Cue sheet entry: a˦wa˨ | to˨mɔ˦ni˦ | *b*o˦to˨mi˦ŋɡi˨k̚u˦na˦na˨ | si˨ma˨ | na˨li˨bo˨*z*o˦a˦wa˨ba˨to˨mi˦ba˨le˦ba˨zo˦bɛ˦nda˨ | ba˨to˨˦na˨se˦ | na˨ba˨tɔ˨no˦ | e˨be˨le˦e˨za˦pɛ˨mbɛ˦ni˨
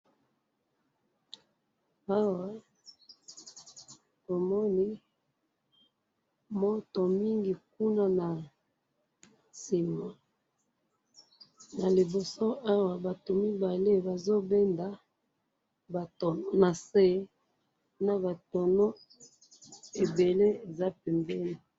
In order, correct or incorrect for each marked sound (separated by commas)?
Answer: incorrect, incorrect